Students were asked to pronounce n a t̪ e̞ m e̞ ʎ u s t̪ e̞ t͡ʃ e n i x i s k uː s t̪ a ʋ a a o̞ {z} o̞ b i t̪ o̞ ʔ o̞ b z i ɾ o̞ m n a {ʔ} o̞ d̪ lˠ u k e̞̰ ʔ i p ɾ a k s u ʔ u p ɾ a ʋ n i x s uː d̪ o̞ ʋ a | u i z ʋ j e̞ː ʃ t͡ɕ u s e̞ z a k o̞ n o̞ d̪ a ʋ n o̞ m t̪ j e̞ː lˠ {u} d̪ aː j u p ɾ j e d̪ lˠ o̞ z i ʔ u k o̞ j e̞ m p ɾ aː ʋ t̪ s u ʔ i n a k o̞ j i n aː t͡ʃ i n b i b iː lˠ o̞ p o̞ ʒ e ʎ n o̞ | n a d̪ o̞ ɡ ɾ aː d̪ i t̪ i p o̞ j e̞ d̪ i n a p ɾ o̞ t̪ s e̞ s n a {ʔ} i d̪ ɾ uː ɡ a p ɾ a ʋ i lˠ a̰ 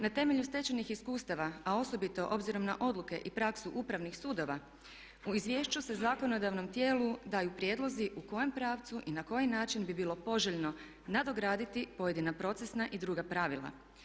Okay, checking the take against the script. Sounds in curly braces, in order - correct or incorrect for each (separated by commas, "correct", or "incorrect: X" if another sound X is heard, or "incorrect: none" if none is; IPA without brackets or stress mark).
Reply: incorrect: s, correct, correct, correct